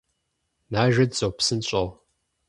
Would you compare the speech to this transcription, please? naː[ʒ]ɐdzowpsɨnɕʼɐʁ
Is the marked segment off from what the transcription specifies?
no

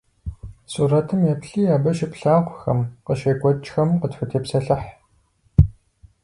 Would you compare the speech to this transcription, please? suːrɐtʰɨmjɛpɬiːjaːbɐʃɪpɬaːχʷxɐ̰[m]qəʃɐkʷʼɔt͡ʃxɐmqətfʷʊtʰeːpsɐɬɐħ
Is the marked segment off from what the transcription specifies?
no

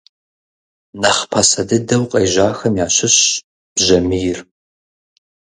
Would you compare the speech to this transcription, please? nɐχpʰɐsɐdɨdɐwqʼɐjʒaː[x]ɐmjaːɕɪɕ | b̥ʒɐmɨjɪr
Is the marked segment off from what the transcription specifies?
no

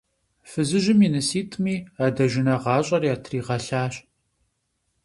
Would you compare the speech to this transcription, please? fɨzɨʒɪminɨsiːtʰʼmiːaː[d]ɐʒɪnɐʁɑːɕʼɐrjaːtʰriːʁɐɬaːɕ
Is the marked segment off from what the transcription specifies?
no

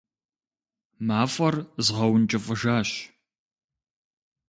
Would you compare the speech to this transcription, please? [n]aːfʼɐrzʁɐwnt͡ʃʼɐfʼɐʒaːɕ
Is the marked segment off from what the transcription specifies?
yes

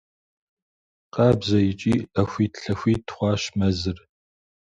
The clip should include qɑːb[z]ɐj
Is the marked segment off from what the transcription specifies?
no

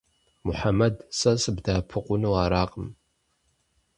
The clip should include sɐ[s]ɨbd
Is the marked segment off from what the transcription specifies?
no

